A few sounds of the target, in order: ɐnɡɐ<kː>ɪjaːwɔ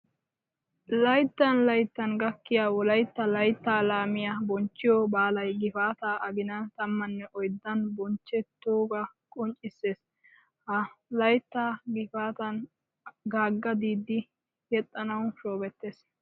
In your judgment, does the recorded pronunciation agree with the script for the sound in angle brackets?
yes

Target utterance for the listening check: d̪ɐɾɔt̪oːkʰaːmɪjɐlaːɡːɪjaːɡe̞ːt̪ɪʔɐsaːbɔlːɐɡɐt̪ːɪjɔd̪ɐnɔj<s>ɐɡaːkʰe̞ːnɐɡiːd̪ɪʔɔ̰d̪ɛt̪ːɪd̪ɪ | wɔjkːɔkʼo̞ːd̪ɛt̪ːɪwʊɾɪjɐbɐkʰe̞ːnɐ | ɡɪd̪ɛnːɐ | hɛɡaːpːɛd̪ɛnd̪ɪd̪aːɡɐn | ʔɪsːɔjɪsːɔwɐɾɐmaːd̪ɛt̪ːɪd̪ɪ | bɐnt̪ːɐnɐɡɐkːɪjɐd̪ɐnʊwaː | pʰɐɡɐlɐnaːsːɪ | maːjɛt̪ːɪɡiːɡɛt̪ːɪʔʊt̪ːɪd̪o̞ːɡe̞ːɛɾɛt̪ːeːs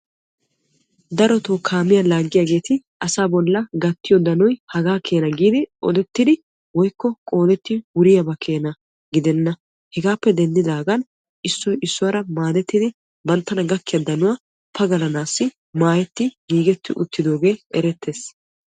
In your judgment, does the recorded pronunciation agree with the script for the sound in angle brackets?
no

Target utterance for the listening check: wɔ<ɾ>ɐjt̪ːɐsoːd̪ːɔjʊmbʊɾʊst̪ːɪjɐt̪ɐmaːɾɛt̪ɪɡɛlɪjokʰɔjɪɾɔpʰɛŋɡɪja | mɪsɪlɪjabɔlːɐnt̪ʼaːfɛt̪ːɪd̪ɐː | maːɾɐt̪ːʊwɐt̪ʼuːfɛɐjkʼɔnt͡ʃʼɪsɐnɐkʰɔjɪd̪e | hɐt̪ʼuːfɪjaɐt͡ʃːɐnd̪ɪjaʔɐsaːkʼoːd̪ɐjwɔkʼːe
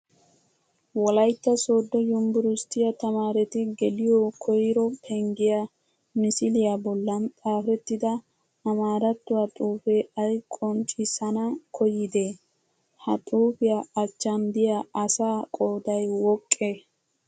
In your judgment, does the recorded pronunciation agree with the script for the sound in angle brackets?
no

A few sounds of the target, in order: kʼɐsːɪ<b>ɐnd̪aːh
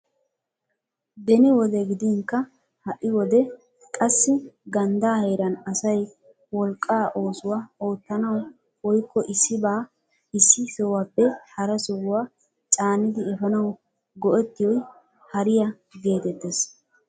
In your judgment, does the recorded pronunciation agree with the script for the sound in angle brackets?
no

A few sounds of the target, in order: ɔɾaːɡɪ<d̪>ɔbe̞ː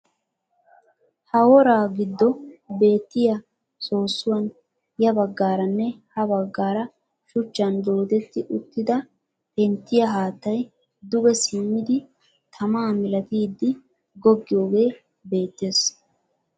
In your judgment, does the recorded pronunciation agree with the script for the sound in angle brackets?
no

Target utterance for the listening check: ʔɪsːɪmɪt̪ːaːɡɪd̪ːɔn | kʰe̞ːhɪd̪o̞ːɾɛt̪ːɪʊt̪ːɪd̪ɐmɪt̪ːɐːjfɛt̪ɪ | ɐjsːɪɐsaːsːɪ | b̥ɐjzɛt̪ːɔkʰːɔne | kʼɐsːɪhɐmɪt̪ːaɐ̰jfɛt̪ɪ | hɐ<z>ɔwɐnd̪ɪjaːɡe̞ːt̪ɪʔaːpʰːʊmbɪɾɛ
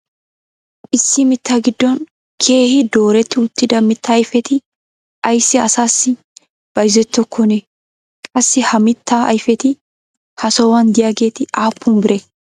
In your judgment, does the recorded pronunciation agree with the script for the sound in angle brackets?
no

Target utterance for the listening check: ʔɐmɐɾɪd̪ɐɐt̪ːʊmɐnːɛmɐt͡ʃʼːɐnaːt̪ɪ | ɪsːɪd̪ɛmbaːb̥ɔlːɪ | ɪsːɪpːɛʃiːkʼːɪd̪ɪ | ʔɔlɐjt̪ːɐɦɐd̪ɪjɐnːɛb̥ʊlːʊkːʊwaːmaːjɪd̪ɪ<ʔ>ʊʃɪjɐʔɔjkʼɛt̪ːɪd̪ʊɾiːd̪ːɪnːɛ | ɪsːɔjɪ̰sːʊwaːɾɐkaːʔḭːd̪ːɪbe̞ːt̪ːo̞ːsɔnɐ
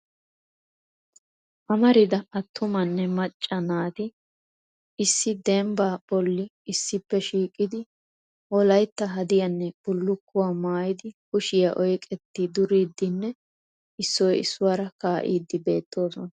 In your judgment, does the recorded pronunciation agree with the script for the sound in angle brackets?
no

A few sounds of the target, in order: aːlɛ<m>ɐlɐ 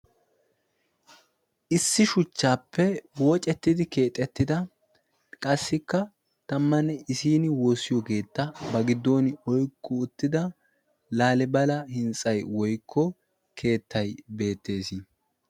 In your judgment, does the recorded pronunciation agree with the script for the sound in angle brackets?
no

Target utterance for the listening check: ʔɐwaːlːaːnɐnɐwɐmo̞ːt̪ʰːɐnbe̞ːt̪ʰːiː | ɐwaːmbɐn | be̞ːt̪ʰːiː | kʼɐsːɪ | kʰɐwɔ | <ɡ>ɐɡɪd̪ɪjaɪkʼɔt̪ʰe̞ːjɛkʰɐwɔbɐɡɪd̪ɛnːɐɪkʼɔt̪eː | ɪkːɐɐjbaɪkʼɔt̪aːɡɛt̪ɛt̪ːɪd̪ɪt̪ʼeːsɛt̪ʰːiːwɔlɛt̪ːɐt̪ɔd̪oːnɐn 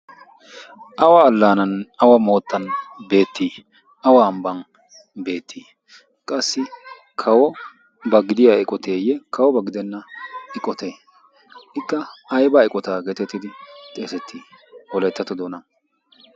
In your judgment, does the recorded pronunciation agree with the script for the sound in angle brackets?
no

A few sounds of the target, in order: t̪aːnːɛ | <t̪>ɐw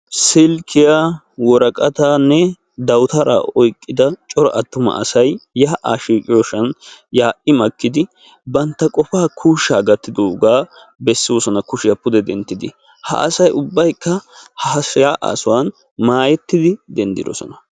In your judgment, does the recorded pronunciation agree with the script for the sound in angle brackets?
no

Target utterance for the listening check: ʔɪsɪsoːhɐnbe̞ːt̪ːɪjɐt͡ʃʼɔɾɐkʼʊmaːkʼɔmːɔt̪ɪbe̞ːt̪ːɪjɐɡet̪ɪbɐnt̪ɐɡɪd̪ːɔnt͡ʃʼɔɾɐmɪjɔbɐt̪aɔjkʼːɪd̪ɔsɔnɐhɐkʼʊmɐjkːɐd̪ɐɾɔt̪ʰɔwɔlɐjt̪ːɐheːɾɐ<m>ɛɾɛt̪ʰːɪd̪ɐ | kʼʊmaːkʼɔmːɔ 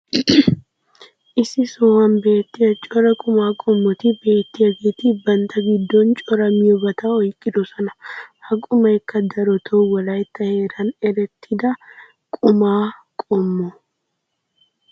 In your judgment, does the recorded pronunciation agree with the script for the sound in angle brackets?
no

